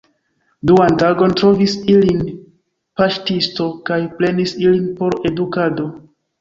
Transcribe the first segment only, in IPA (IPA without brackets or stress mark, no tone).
d